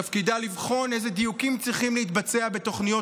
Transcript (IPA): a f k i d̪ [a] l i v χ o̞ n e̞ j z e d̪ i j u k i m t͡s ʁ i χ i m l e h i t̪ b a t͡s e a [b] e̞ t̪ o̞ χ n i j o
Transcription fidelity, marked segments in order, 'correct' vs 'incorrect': correct, correct

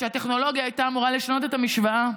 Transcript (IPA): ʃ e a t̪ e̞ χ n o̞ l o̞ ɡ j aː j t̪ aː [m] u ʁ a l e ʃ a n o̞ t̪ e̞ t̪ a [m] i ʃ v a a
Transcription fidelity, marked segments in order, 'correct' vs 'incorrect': correct, correct

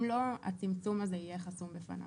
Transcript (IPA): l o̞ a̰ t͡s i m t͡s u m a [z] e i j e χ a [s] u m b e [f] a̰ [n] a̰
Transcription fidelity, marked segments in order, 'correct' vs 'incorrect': correct, correct, correct, correct

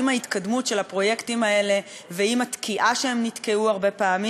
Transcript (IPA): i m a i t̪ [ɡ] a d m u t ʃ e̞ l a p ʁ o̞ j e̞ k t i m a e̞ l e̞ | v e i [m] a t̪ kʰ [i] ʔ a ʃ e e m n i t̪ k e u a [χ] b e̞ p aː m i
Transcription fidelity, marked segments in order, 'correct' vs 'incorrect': incorrect: k, correct, correct, incorrect: ʁ

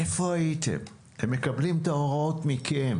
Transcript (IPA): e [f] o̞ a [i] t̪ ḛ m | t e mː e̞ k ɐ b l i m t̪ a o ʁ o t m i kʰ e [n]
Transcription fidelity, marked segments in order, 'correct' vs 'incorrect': correct, correct, incorrect: m

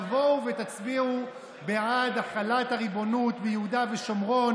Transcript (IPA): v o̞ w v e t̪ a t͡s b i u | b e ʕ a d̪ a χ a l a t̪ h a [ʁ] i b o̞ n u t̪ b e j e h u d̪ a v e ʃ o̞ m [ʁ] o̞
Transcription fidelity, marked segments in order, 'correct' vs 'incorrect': correct, correct

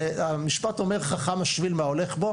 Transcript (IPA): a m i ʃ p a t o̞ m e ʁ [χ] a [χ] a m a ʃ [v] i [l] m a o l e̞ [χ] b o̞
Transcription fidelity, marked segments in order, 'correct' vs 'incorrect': correct, correct, correct, correct, correct

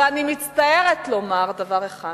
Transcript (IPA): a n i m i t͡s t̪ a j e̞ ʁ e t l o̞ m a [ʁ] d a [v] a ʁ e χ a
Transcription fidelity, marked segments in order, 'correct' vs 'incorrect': correct, correct

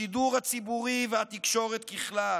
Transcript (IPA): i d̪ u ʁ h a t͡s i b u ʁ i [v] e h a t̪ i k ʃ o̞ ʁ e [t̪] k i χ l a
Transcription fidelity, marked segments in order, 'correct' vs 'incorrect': correct, correct

